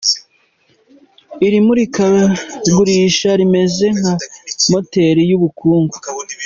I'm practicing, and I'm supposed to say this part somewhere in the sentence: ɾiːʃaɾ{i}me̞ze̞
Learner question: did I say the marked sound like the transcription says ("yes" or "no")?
yes